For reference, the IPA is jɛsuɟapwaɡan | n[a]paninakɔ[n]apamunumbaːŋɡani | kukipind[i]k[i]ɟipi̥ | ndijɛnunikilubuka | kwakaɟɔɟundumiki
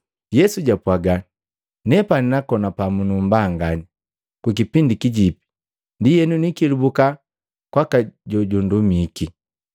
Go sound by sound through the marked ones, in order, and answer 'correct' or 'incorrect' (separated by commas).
incorrect, correct, correct, correct